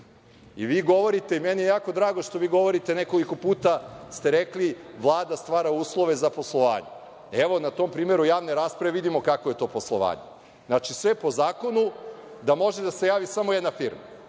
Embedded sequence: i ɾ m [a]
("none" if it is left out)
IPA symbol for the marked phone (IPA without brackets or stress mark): a